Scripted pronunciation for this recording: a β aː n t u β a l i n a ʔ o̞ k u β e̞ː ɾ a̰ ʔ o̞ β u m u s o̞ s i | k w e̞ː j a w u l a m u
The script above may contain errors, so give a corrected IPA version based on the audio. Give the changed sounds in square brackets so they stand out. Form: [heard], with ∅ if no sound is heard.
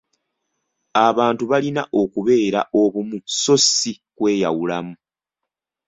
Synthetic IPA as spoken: a β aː n t u β a l i n a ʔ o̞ k u β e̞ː ɾ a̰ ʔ o̞ β u m u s o̞ s i | k w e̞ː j a w u l a m u